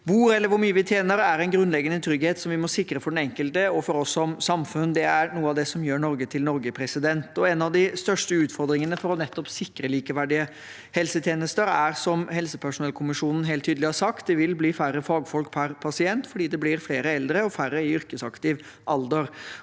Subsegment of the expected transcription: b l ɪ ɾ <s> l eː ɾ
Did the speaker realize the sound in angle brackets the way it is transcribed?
no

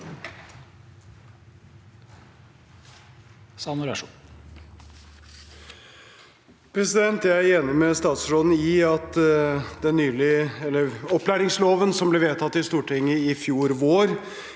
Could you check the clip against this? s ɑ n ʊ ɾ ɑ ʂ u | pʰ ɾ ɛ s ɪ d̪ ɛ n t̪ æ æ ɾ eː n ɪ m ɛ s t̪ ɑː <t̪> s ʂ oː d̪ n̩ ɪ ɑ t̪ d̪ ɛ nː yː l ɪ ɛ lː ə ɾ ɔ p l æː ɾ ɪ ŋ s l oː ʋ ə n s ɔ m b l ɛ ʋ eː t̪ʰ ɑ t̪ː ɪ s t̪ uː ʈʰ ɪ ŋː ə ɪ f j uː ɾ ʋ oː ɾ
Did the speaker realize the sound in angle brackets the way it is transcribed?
yes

